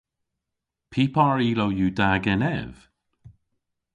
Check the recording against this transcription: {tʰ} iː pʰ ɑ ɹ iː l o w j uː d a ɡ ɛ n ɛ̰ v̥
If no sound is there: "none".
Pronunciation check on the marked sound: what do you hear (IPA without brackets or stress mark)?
pʰ